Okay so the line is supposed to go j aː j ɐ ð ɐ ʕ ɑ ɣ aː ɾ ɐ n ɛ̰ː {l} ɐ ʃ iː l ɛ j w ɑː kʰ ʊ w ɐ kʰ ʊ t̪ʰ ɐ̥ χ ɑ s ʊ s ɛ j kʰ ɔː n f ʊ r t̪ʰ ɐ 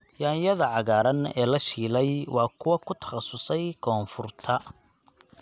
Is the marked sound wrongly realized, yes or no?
no